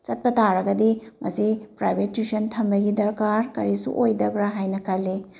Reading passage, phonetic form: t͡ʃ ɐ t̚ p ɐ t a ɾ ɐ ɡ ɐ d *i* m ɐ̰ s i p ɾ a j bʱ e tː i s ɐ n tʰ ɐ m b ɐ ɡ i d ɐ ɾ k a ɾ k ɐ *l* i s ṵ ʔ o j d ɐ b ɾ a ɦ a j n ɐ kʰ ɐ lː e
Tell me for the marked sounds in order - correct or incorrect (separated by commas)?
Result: correct, incorrect